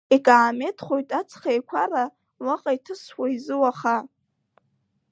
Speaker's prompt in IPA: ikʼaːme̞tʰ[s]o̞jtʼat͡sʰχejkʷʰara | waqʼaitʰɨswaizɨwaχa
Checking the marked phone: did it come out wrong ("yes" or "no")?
yes